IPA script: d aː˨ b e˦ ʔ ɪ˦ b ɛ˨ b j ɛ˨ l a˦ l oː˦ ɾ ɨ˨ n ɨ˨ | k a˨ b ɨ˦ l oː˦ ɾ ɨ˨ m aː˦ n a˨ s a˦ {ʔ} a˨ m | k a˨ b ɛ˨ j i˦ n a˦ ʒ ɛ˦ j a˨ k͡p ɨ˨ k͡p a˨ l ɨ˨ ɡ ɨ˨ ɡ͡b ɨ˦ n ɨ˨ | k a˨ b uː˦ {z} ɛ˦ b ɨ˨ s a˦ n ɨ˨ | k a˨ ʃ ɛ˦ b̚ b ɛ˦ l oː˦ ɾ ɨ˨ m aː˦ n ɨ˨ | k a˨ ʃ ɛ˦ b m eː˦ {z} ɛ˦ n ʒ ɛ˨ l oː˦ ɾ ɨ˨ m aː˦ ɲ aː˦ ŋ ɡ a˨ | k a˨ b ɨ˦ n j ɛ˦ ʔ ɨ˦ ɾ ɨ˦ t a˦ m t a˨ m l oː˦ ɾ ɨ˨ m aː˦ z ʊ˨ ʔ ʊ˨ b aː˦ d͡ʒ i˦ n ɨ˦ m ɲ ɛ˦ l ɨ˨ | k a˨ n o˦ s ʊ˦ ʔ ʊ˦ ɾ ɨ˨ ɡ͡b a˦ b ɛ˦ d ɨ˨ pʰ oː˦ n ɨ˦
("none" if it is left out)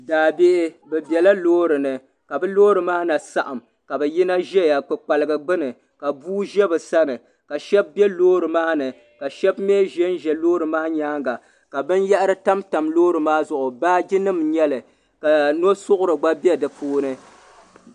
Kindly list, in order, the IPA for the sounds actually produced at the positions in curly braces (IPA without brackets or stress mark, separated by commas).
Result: ʔ, ʒ, ʒ